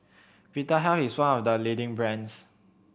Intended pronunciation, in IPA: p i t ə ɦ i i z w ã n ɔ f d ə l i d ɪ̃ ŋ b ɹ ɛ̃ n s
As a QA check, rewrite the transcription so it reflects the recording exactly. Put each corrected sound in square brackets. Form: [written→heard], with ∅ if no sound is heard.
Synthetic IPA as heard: p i t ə ɦ [i→ɛ] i [z→s] w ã n ɔ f d ə l i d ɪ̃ ŋ b ɹ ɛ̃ n s